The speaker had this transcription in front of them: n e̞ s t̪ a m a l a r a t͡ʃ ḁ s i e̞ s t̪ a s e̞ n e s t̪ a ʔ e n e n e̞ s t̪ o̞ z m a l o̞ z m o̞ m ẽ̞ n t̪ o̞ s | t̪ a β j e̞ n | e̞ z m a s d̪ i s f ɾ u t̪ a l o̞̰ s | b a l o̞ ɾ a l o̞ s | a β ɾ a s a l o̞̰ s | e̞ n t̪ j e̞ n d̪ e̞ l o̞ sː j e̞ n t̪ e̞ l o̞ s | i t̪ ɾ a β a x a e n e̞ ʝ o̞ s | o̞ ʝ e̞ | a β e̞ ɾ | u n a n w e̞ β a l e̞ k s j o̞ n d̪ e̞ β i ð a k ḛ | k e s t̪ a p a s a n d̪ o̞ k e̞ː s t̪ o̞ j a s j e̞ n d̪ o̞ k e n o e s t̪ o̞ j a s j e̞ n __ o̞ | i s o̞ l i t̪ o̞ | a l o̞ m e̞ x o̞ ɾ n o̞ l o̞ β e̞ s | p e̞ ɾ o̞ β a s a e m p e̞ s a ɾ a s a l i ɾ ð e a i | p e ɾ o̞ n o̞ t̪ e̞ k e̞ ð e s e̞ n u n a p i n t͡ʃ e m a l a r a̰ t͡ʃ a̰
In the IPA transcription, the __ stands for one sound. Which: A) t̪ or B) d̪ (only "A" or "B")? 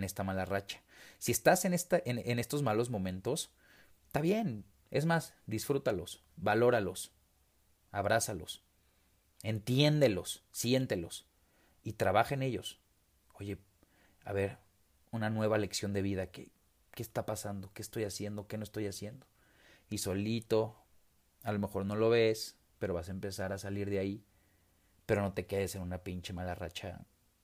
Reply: B